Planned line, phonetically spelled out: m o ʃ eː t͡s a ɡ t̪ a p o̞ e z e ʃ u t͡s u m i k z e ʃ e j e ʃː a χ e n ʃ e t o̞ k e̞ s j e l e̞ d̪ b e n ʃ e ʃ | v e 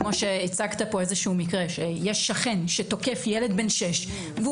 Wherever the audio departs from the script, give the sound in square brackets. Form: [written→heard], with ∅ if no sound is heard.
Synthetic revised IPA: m o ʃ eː t͡s a ɡ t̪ a p o̞ e z e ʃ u [t͡s→∅] u m i k [z→ʁ] e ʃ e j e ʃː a χ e n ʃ e t o̞ k e̞ [s→f] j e l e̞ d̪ b e n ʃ e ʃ | v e